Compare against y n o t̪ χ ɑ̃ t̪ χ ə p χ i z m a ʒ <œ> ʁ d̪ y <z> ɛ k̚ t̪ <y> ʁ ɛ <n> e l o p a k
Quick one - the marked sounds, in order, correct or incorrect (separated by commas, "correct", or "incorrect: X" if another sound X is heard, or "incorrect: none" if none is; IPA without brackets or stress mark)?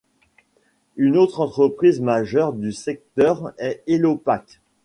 correct, incorrect: s, incorrect: œ, incorrect: none